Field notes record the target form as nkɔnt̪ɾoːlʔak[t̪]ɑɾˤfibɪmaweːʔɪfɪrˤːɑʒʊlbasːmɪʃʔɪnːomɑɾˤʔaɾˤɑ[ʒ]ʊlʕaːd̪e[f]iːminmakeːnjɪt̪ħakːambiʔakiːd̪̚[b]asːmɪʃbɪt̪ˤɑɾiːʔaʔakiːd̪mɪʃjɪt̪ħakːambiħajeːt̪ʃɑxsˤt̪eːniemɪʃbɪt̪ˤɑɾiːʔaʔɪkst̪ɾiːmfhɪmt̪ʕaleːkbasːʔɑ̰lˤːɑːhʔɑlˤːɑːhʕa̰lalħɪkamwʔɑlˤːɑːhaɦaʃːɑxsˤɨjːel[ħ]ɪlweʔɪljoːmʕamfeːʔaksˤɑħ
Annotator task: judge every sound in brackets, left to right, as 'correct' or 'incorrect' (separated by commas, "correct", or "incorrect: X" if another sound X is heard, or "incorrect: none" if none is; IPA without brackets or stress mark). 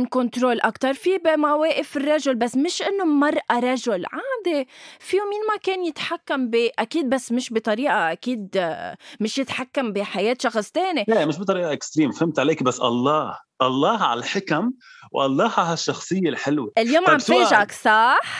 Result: correct, correct, correct, correct, correct